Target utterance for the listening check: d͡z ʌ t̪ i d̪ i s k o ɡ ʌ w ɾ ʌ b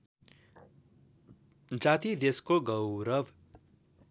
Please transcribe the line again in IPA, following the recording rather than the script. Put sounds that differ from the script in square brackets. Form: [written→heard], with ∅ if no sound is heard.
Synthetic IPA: d͡z [ʌ→a] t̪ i d̪ [i→e] s k o ɡ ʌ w ɾ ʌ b